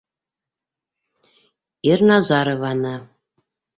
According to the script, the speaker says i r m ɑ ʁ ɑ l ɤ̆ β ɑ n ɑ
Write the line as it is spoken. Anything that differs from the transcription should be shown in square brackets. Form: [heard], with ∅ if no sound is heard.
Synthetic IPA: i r [n] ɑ [z] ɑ [ɾ] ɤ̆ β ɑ n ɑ